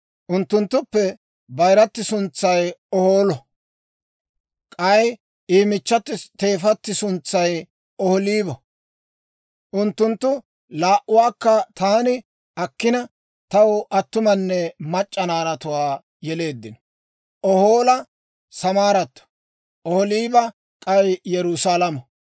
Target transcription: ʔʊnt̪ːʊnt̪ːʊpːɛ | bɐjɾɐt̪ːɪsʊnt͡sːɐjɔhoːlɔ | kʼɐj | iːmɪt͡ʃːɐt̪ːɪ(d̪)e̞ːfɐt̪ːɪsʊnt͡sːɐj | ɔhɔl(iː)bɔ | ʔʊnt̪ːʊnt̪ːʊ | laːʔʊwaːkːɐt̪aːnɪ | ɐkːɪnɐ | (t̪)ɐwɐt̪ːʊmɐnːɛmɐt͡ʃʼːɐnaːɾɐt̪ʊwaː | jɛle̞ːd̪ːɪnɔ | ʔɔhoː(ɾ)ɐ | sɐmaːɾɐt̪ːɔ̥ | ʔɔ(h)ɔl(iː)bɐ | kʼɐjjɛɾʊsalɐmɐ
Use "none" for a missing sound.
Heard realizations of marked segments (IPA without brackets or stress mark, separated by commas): t̪, iː, t̪, l, h, iː